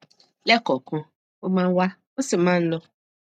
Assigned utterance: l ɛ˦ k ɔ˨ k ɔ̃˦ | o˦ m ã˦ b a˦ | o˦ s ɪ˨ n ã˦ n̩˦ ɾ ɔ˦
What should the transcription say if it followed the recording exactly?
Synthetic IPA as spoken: l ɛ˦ k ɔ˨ k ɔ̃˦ | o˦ m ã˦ w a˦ | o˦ s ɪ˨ m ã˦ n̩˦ l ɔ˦